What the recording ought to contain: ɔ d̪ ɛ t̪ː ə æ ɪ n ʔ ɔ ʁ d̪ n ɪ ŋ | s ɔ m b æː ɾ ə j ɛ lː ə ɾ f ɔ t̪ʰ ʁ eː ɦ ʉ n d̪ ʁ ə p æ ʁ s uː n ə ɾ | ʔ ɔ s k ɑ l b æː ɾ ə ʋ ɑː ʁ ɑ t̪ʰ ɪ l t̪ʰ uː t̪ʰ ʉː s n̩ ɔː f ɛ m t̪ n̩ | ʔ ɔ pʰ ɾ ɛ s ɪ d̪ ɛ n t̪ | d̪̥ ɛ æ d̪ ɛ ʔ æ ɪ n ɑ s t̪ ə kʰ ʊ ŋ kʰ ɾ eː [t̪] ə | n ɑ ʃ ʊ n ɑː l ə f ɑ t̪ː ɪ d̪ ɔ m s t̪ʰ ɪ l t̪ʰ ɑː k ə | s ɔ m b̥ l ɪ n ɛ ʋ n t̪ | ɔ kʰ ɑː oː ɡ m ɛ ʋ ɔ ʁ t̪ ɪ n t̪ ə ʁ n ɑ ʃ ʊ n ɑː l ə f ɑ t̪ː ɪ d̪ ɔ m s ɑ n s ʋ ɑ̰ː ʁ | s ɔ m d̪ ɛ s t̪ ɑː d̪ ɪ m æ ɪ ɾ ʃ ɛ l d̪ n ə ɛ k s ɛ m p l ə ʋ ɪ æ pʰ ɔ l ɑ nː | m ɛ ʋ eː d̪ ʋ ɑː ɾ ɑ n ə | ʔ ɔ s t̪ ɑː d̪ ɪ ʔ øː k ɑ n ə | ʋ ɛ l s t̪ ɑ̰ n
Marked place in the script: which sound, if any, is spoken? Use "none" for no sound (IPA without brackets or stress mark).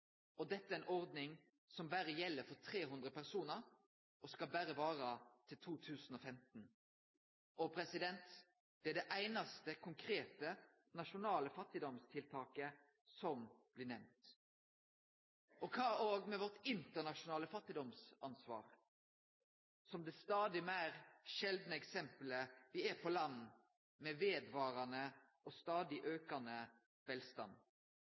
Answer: t̪